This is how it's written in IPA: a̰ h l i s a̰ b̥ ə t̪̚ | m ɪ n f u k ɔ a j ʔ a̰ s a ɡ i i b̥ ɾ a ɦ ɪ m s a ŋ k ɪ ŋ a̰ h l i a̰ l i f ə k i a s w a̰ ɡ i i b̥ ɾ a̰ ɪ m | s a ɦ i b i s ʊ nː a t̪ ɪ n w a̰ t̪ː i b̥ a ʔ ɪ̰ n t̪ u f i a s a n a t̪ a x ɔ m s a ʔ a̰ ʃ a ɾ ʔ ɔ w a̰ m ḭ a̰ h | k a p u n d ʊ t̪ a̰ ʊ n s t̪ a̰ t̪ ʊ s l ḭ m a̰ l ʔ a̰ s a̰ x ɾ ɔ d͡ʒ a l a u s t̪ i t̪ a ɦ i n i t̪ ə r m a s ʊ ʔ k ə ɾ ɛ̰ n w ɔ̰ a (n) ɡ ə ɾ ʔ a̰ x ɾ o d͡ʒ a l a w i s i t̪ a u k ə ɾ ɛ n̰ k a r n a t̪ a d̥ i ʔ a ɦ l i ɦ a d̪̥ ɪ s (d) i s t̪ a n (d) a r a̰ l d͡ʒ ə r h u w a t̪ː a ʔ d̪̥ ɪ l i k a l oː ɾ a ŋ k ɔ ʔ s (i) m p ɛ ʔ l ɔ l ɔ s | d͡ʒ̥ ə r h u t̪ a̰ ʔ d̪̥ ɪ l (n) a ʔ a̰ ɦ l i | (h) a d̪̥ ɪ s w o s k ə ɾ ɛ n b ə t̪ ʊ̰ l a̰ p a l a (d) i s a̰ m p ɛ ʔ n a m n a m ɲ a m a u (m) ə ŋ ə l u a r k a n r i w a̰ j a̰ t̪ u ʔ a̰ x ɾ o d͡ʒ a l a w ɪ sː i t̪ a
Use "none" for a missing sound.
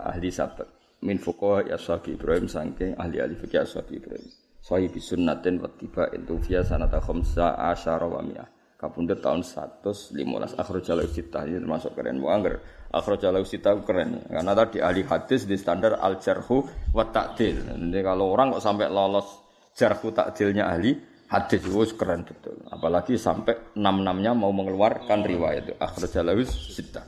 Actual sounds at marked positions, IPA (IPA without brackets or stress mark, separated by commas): ŋ, d, d, a, ɲ, h, ɡ, m